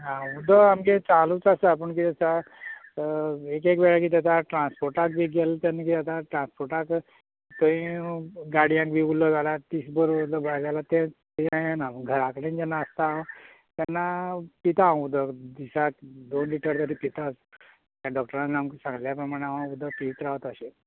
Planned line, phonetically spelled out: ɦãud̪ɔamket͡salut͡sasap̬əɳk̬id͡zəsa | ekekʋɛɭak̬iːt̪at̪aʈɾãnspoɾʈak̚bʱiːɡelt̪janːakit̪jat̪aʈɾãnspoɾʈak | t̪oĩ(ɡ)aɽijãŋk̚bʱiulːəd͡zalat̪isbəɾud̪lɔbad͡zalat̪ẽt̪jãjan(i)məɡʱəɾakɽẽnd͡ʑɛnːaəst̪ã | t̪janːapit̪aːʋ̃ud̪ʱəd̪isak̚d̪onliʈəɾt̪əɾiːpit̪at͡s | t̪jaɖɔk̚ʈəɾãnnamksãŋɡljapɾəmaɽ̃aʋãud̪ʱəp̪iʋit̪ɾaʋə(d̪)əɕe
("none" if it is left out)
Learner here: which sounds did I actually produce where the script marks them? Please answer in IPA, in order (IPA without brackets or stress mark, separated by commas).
ɡ, a, t̪